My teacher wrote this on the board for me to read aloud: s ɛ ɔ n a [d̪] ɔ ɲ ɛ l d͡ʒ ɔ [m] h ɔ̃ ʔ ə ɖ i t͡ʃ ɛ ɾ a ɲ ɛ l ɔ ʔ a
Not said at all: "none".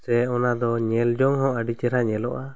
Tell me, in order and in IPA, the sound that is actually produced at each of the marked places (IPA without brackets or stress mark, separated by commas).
d̪, ŋ